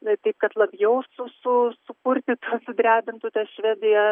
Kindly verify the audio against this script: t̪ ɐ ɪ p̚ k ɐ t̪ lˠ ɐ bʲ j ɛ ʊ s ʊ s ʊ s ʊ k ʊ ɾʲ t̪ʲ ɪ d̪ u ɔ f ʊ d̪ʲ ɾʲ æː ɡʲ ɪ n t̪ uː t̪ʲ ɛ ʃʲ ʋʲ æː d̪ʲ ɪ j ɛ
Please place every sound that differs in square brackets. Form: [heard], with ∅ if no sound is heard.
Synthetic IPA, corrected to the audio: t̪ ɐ ɪ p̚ k ɐ t̪ lˠ ɐ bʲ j ɛ ʊ s ʊ s ʊ s ʊ k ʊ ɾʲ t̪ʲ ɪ [t̪] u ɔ [s] ʊ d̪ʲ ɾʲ æː [bʲ] ɪ n t̪ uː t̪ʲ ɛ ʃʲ ʋʲ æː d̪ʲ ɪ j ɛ